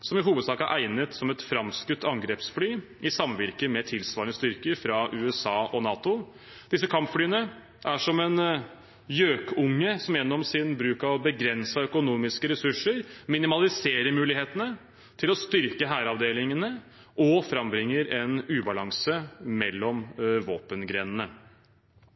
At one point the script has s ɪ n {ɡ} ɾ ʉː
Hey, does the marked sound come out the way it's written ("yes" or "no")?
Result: no